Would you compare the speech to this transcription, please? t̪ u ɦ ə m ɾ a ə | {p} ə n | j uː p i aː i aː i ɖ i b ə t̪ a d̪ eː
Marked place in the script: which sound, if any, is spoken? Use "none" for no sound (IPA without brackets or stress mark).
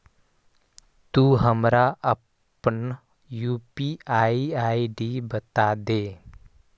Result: p